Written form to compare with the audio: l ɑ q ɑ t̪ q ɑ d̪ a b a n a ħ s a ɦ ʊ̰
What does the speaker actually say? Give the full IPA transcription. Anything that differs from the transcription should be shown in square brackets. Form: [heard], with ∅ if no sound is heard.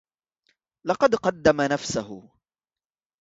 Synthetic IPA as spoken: l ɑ q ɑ [d̪] q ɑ [d̪ː] a [m] a n a [f] s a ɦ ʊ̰